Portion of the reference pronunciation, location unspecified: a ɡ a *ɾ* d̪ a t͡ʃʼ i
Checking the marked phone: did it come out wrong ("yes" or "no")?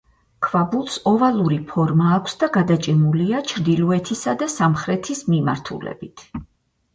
yes